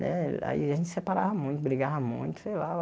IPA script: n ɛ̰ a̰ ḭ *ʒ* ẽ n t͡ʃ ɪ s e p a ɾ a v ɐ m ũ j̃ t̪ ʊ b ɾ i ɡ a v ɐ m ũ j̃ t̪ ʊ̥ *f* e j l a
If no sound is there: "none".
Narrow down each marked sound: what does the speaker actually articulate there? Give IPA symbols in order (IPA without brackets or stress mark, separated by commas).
ʒ, s